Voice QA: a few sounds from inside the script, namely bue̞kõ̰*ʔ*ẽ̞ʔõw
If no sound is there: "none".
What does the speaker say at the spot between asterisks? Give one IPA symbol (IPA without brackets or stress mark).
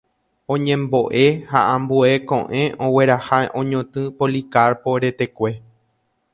ʔ